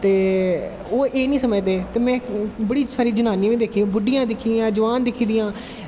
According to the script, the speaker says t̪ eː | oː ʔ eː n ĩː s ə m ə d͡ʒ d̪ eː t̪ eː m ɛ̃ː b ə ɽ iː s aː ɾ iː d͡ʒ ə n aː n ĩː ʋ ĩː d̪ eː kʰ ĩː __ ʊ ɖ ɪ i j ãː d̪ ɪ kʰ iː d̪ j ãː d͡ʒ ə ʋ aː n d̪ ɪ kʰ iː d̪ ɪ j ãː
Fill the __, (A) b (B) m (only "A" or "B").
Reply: A